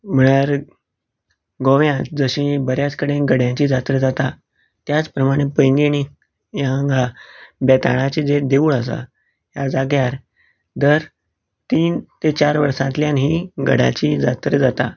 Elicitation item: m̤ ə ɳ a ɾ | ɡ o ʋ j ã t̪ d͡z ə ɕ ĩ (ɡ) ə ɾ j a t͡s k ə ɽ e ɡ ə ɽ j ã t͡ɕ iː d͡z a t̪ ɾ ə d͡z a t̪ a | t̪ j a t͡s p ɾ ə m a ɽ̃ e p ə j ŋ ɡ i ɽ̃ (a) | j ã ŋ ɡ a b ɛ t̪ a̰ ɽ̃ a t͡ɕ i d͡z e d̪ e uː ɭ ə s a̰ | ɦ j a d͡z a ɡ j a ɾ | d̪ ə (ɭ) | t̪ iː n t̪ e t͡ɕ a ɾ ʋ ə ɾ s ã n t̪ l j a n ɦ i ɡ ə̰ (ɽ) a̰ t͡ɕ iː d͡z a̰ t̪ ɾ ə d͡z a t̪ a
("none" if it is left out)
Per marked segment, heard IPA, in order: b, i, ɾ, ɽ

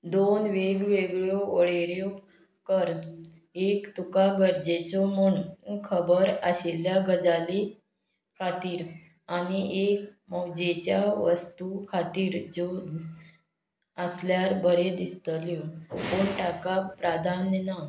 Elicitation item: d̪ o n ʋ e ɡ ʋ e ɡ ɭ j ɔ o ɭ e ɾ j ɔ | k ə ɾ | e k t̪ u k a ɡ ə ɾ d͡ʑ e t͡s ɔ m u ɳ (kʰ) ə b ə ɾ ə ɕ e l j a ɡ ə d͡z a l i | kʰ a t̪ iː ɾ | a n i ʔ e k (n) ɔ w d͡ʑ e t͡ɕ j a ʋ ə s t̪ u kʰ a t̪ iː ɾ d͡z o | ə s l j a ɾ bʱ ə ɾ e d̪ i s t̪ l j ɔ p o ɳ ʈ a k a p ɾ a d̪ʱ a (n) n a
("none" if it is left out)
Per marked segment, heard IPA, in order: kʰ, m, n

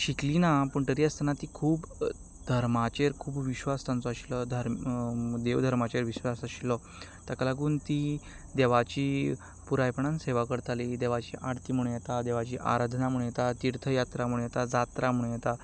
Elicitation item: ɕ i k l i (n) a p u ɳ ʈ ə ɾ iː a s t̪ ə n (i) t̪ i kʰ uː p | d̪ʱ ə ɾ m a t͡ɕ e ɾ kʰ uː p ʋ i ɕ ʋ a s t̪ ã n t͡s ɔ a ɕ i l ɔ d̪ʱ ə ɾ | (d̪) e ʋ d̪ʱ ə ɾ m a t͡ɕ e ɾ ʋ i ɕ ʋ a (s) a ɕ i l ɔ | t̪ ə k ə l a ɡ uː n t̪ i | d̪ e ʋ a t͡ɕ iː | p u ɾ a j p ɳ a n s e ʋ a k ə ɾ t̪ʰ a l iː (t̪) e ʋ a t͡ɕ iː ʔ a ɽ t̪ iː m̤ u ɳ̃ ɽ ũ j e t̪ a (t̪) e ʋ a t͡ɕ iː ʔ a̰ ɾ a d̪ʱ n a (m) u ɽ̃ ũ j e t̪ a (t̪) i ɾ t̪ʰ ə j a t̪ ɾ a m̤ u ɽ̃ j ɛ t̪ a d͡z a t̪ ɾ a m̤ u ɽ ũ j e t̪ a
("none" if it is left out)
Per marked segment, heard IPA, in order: n, a, d̪, s, d̪, d̪, m, t̪

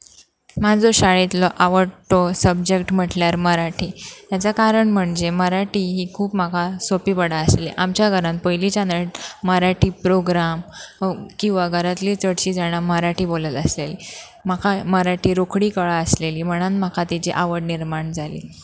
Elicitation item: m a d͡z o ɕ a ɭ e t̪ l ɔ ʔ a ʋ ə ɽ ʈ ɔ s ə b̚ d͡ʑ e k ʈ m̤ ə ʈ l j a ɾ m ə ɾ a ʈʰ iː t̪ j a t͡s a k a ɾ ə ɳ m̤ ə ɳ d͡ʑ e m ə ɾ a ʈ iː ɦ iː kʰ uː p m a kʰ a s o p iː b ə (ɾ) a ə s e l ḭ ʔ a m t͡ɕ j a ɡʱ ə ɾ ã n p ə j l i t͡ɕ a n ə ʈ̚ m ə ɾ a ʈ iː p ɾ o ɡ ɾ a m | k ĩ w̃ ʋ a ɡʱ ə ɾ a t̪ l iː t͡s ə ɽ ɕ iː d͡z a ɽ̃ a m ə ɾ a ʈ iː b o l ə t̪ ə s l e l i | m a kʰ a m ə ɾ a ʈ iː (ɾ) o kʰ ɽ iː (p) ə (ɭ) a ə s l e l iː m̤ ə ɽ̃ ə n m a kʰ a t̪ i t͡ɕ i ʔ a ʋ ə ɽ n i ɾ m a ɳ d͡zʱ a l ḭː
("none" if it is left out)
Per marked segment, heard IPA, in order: ɽ, ɾ, k, ɭ

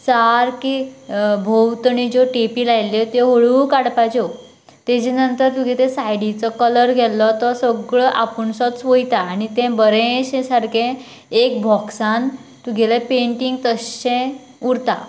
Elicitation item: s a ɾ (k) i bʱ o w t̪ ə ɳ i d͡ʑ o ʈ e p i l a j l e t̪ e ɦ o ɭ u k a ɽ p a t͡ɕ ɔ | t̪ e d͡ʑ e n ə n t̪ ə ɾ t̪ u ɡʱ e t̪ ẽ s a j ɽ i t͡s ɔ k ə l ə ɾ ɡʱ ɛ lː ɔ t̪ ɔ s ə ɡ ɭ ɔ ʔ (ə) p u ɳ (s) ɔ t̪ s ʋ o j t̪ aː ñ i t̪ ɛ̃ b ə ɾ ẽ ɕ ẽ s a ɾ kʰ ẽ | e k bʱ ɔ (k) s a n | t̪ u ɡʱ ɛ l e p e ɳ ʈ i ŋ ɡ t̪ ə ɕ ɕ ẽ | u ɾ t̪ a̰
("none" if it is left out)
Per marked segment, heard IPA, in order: k, a, s, k

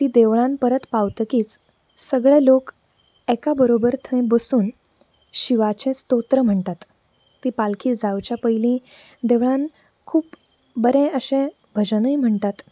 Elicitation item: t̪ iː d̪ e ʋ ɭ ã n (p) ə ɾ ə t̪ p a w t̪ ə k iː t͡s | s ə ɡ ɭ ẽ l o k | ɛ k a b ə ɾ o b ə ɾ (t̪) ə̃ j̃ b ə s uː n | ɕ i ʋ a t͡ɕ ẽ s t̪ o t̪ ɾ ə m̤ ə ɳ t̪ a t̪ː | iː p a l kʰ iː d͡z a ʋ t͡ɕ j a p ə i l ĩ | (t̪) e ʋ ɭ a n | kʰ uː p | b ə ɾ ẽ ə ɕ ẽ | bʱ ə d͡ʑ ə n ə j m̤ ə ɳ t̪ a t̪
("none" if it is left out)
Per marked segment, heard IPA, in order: p, t̪ʰ, d̪

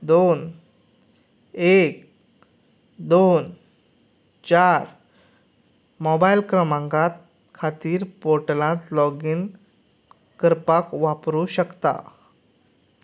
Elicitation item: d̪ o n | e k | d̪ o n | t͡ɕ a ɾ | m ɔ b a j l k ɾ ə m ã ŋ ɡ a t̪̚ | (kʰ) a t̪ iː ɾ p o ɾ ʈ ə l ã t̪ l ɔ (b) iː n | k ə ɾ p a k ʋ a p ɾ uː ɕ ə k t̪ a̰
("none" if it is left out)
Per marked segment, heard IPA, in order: kʰ, ɡ

